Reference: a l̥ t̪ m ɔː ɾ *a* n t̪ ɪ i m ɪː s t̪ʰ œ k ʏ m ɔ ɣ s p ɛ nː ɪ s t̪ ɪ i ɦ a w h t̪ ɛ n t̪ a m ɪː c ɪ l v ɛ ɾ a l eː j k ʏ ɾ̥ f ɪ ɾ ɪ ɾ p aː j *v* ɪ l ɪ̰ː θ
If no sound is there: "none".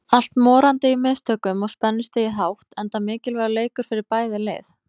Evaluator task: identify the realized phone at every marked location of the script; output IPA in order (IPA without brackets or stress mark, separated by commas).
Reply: a, ð